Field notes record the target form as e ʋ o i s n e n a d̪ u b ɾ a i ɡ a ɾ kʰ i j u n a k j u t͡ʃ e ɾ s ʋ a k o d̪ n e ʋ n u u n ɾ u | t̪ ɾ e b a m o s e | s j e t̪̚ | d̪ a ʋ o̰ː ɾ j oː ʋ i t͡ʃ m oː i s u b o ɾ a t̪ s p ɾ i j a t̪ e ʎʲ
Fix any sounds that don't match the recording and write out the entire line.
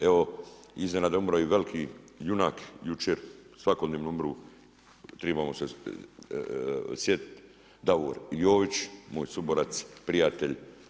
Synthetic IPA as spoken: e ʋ o i z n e n a d̪ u m ɾ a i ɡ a l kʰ i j u n a k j u t͡ʃ e ɾ s ʋ a k o d̪ n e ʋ n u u m ɾ u | t̪ ɾ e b a m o s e | s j e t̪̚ | d̪ a ʋ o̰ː ɾ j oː ʋ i t͡ʃ m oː j s u b o ɾ a t̪ s p ɾ i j a t̪ e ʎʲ

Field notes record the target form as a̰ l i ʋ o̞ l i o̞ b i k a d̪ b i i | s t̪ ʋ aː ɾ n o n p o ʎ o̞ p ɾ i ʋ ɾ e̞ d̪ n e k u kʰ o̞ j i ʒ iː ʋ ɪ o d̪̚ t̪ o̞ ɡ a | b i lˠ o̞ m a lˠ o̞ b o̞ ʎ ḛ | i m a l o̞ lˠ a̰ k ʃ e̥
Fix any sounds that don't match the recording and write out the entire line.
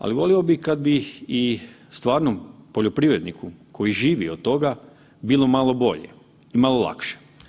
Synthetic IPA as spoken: a̰ l i ʋ o̞ l i o̞ b i k a d̪ b i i | s t̪ ʋ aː ɾ n o m p o ʎ o̞ p ɾ i ʋ ɾ e̞ d̪ n i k u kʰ o̞ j i ʒ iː ʋ i o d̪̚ t̪ o̞ ɡ a | b i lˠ o̞ m a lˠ o̞ b o̞ ʎ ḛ | i m a l o̞ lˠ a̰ k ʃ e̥

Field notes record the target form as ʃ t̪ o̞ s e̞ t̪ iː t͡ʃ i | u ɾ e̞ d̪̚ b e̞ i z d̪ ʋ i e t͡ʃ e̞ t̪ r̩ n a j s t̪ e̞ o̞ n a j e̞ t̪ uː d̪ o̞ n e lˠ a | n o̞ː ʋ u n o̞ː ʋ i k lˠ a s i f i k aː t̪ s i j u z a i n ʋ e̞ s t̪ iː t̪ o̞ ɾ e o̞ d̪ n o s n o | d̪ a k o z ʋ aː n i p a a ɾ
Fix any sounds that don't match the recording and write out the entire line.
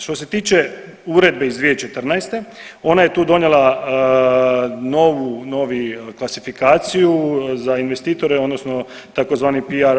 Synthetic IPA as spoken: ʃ t̪ o̞ s e̞ t̪ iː t͡ʃ e | u ɾ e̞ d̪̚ b e̞ i z d̪ ʋ i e t͡ʃ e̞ t̪ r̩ n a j s t̪ e̞ o̞ n a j e̞ t̪ uː d̪ o̞ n e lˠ a | n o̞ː ʋ u n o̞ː ʋ i k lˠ a s i f i k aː t̪ s i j u z a i n ʋ e̞ s t̪ iː t̪ o̞ ɾ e o̞ d̪ n o s n o | t̪ a k o z ʋ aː n i p i a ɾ

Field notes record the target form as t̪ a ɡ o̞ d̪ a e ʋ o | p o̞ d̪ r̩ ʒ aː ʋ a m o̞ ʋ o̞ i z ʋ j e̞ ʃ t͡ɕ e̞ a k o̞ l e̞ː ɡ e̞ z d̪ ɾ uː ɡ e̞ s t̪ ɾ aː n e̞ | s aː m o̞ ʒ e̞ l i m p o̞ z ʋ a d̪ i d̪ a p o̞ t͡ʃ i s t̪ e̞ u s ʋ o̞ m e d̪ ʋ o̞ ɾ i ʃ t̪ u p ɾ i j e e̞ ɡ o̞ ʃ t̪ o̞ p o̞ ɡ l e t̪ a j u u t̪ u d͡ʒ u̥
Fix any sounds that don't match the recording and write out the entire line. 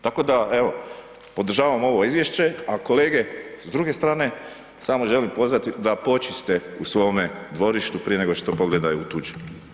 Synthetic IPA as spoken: t̪ a k o̞ d̪ a e ʋ o | p o̞ d̪ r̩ ʒ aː ʋ a m o̞ ʋ o̞ i z ʋ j e̞ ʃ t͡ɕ e̞ a k o̞ l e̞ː ɡ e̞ z d̪ ɾ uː ɡ e̞ s t̪ ɾ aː n e̞ | s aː m o̞ ʒ e̞ l i m p o̞ z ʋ a t̪ i d̪ a p o̞ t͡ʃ i s t̪ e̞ u s ʋ o̞ m e d̪ ʋ o̞ ɾ i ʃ t̪ u p ɾ i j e e̞ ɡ o̞ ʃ t̪ o̞ p o̞ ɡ l e d̪ a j u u t̪ u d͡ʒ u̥

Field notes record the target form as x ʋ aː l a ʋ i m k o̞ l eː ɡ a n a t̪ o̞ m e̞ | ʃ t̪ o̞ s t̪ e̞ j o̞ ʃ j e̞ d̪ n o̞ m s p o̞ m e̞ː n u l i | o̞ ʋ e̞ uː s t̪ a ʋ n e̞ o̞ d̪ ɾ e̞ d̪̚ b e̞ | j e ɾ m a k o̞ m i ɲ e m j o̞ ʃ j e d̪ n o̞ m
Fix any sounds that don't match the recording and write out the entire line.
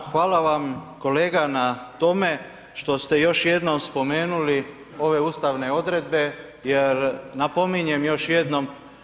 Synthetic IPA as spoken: x ʋ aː l a ʋ a m k o̞ l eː ɡ a n a t̪ o̞ m e̞ | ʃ t̪ o̞ s t̪ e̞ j o̞ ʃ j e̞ d̪ n o̞ m s p o̞ m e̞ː n u l i | o̞ ʋ e̞ uː s t̪ a ʋ n e̞ o̞ d̪ ɾ e̞ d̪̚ b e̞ | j e ɾ n a p o̞ m i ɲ e m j o̞ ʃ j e d̪ n o̞ m

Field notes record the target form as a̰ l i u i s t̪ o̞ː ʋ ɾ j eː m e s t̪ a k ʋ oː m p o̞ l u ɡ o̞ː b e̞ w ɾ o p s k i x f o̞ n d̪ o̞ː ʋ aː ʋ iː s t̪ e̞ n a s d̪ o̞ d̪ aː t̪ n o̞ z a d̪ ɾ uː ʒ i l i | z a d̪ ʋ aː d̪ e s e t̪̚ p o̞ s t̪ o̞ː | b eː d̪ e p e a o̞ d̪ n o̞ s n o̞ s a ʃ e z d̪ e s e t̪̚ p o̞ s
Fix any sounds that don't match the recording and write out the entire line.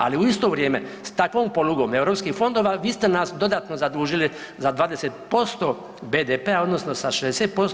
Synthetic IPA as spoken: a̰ l i u i s t̪ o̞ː ʋ ɾ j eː m e s t̪ a k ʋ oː m p o̞ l u ɡ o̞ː m e̞ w ɾ o p s k i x f o̞ n d̪ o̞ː ʋ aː ʋ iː s t̪ e̞ n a s d̪ o̞ d̪ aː t̪ n o̞ z a d̪ ɾ uː ʒ i l i | z a d̪ ʋ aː d̪ e s e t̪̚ p o̞ s t̪ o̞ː | b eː d̪ e p e a o̞ d̪ n o̞ s n o̞ s a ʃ e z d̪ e s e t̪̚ p o̞ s

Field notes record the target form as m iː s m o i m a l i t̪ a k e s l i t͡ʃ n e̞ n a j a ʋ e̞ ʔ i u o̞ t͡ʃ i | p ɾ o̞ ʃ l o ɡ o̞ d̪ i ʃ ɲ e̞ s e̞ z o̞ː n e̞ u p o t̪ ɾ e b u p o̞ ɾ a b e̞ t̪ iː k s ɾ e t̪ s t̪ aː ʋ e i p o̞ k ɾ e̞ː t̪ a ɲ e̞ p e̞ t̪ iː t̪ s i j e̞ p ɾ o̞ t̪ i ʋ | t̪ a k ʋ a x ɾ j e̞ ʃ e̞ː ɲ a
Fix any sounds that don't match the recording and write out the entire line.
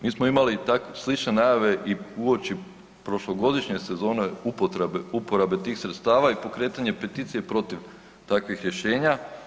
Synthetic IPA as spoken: m iː s m o i m a l i t̪ a k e s l i t͡ʃ n e̞ n a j a ʋ e̞ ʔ i u o̞ t͡ʃ i | p ɾ o̞ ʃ l o ɡ o̞ d̪ i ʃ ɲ e̞ s e̞ z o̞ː n e̞ u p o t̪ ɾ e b u p o̞ ɾ a b e̞ t̪ iː x s ɾ e t̪ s t̪ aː ʋ a i p o̞ k ɾ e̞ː t̪ a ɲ e̞ p e̞ t̪ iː t̪ s i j e̞ p ɾ o̞ t̪ i ʋ | t̪ a k ʋ i x ɾ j e̞ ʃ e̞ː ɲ a

